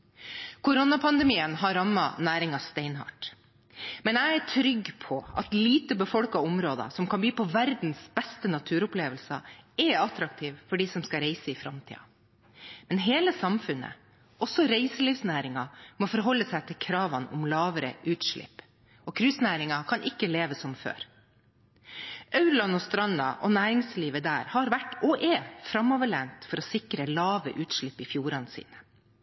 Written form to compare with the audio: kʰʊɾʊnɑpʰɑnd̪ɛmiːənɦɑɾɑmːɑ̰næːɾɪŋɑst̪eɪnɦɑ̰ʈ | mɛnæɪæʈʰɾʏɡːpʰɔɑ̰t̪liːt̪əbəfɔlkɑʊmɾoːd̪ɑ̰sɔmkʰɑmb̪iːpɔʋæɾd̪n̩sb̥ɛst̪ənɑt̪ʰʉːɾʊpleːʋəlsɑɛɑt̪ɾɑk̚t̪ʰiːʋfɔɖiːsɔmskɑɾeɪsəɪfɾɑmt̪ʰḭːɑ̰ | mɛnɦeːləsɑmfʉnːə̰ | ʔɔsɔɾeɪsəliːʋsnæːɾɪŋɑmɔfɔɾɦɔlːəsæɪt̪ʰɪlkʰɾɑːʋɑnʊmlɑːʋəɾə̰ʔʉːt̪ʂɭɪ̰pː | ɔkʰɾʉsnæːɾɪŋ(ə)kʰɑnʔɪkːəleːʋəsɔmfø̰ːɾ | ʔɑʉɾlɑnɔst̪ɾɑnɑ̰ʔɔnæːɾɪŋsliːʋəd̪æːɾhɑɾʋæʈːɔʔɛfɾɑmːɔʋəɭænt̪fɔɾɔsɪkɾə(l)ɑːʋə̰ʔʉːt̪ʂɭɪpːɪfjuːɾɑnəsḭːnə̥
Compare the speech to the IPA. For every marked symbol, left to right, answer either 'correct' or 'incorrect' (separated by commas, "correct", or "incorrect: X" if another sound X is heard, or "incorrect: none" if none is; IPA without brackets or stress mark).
incorrect: ɑ, correct